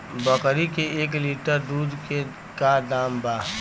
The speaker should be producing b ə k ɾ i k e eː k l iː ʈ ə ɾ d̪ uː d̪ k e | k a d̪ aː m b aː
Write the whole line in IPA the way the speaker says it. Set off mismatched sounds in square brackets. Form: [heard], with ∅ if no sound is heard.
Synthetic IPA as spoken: b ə k ɾ i k e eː k l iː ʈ ə ɾ d̪ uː d̪ k e | k a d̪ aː m b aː